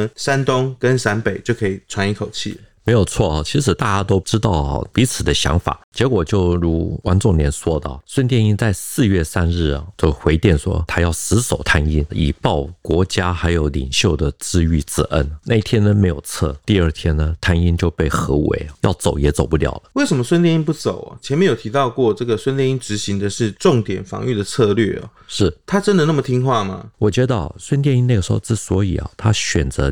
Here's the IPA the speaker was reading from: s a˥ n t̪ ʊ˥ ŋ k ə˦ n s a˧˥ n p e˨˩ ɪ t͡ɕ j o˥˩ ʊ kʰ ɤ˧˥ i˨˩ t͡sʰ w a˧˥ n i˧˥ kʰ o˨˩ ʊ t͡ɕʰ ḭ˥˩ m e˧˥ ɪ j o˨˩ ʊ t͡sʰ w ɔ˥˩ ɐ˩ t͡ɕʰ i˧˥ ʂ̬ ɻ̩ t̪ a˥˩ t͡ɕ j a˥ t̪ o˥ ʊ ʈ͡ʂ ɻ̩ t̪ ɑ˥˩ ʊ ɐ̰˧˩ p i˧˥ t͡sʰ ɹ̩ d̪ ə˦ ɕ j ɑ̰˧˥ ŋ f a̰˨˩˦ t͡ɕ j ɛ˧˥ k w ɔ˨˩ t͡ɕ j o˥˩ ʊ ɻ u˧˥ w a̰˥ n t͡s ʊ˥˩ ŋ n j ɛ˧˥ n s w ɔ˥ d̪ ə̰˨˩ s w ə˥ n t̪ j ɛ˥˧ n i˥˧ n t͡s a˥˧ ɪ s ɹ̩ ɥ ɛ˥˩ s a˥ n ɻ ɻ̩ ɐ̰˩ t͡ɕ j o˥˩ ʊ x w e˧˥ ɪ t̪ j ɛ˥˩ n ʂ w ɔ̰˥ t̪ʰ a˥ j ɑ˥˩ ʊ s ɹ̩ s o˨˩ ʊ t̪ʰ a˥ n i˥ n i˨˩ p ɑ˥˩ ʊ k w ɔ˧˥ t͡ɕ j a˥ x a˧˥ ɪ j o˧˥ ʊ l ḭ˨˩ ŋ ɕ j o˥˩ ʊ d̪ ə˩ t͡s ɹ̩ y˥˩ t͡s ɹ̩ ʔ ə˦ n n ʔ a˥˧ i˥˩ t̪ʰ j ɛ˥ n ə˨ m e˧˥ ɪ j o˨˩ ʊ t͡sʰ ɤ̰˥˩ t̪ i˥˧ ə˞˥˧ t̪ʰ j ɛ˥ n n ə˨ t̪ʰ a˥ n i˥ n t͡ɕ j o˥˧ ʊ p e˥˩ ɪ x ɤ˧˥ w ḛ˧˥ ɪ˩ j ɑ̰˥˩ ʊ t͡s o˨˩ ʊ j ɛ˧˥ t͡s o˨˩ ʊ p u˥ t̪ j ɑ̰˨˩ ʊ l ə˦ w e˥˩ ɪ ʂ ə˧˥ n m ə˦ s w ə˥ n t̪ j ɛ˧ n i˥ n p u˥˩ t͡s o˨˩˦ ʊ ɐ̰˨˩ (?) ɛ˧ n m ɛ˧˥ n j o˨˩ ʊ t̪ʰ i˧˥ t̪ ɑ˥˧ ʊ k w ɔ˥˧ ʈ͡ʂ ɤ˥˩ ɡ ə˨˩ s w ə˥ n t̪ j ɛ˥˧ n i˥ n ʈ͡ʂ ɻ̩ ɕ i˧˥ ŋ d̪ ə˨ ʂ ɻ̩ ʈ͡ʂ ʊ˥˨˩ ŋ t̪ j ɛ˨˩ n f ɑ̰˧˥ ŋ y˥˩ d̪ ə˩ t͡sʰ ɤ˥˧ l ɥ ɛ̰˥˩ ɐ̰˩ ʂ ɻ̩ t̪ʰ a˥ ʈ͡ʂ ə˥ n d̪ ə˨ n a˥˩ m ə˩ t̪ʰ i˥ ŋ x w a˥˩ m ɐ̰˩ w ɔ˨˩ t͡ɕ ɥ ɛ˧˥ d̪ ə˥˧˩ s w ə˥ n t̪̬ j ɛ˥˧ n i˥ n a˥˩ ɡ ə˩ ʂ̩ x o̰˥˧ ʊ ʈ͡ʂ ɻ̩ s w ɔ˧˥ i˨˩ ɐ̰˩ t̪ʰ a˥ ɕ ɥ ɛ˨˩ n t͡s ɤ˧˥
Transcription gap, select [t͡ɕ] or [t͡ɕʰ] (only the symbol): t͡ɕʰ